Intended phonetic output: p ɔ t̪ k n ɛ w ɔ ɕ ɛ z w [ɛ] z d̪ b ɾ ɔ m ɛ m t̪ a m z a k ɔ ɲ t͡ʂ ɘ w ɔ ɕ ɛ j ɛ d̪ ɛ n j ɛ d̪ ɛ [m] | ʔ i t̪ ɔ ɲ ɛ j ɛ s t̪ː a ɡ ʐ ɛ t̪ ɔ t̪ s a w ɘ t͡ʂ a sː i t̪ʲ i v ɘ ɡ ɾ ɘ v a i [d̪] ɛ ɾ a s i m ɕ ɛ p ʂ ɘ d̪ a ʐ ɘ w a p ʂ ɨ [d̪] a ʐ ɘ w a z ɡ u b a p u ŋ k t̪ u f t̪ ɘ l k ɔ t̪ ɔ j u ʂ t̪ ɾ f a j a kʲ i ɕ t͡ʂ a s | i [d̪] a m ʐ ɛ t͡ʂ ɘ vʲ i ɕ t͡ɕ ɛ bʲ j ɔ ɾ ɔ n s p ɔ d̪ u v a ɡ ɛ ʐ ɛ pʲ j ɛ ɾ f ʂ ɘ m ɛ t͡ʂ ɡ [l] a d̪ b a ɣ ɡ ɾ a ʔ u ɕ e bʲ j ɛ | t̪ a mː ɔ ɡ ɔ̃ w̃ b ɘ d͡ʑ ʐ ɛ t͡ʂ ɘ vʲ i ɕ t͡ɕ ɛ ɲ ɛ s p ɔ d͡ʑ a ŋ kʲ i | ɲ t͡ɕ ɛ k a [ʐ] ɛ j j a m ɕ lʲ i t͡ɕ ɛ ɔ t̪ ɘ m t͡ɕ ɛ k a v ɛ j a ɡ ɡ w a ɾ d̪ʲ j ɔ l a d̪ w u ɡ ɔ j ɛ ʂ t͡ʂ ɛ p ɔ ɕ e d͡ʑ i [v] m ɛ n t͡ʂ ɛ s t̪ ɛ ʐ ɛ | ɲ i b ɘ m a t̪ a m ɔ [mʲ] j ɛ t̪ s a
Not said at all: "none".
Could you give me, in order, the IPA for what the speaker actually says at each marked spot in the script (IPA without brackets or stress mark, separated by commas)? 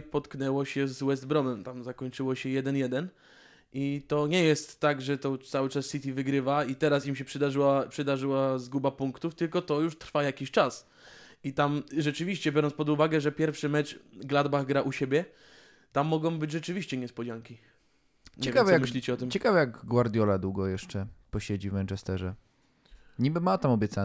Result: ɛ, n, t̪, d̪, t̪, l, v, v, bʲ